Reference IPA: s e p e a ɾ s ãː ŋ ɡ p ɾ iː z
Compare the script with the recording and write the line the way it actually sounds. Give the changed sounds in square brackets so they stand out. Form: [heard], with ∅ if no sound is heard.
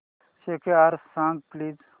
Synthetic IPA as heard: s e [k] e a ɾ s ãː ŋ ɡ p [l] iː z